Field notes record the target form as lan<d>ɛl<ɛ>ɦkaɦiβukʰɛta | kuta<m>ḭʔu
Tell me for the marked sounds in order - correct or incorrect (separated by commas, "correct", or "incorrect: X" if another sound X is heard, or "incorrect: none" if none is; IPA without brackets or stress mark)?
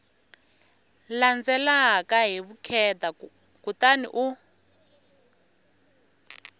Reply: incorrect: d͡z, incorrect: a, incorrect: n